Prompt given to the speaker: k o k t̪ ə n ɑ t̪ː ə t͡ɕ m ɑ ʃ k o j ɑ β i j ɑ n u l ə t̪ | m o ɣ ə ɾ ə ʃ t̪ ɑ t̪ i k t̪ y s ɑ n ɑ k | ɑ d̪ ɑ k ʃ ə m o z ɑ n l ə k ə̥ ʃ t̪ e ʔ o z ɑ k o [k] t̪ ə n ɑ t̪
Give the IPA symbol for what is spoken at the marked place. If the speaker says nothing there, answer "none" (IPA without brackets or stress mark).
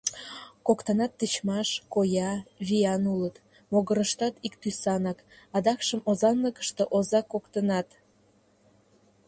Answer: k